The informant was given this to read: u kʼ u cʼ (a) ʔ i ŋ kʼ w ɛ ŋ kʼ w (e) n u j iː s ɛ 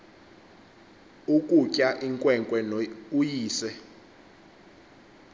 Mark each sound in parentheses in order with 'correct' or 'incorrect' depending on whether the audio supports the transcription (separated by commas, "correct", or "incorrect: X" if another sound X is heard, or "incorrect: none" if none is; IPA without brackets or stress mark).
correct, incorrect: ɛ